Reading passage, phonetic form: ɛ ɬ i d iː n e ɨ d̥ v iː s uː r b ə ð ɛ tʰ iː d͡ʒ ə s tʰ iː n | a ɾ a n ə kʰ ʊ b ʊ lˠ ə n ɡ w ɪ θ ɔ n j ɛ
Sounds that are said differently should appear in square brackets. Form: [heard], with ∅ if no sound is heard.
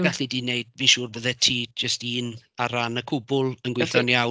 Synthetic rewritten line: ɛ ɬ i d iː n e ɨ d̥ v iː [ʃ] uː r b ə ð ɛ tʰ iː d͡ʒ ə s [t] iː n | a ɾ a n ə kʰ ʊ b ʊ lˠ ə n ɡ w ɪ θ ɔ n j [a]